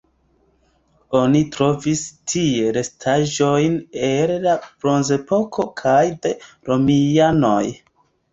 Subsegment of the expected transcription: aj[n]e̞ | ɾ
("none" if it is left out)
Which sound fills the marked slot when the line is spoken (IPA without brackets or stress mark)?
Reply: d